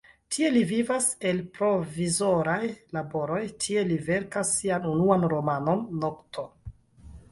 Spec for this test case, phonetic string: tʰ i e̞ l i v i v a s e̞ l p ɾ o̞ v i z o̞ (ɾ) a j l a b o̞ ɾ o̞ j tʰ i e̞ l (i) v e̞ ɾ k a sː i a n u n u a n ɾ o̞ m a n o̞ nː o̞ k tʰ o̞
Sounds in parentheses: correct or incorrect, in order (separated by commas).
correct, correct